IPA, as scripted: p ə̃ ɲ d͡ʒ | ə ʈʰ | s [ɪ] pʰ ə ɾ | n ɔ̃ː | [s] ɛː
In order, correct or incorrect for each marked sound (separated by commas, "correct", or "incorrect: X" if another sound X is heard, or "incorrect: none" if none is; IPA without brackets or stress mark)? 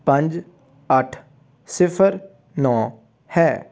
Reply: correct, incorrect: h